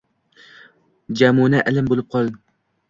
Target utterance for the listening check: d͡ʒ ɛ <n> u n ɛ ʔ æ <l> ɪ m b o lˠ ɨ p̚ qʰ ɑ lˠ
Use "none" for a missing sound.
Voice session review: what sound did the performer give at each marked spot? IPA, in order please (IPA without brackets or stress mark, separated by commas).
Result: m, l